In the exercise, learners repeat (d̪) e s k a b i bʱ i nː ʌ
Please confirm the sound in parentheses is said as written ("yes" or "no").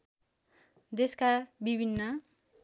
yes